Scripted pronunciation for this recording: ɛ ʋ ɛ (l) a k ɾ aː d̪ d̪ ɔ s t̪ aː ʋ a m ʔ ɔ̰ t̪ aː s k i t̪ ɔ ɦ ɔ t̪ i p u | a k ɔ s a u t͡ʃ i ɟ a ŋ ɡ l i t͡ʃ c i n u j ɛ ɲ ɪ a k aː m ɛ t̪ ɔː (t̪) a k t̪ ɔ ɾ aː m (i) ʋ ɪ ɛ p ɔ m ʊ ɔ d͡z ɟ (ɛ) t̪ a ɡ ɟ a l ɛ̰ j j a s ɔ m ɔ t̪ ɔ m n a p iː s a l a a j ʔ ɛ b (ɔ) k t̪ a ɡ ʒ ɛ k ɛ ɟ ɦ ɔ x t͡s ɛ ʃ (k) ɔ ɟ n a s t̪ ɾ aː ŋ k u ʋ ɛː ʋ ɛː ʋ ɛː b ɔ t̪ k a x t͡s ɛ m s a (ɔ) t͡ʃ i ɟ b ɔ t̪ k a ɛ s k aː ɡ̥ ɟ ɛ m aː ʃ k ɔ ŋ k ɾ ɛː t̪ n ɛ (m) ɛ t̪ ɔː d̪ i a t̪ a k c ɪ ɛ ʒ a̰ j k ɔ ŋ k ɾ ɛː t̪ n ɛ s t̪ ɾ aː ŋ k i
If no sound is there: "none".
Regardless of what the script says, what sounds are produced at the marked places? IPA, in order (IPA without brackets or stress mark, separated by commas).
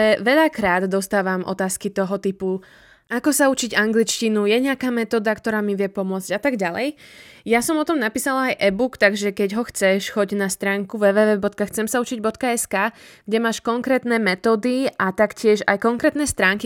ʎ, d̪, i, a, u, x, u, m